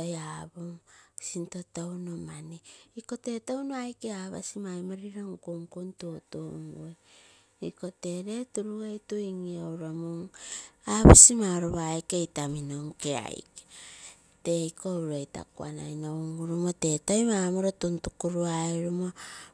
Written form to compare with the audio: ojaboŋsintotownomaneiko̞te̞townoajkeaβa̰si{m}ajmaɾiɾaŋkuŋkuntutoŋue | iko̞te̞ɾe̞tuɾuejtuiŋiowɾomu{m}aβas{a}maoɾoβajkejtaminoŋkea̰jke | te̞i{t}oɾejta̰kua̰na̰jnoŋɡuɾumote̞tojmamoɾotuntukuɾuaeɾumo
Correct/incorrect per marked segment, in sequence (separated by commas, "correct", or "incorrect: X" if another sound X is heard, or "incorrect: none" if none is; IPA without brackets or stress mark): correct, incorrect: ŋ, incorrect: i, incorrect: k